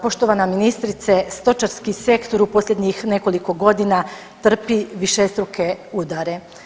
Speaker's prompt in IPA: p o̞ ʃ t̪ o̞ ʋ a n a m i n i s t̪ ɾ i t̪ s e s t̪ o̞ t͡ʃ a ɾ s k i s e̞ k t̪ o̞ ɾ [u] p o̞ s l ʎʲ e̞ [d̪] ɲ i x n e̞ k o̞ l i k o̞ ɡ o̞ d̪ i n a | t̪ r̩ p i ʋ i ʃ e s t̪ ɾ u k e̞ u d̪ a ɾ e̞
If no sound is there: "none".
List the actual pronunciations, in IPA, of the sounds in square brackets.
u, d̪

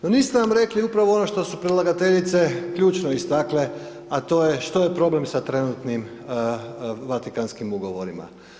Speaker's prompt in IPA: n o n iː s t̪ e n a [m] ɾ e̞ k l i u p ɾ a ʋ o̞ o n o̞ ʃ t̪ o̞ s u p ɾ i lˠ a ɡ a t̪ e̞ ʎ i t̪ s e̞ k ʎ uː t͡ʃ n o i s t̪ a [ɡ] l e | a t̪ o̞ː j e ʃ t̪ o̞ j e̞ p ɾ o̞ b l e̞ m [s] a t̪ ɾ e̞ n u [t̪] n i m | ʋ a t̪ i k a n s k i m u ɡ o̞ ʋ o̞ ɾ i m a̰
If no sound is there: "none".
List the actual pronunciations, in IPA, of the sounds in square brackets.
m, k, s, t̪

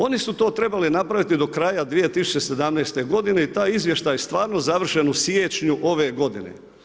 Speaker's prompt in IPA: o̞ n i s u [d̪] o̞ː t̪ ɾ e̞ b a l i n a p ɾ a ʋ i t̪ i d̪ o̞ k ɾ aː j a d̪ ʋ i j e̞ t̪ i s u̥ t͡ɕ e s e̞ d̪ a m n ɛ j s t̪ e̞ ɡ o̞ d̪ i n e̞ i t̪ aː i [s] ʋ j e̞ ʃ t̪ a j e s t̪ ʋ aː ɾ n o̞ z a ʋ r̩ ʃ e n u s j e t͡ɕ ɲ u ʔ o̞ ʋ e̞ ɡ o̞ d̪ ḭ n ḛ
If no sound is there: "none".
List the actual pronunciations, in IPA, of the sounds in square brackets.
t̪, z

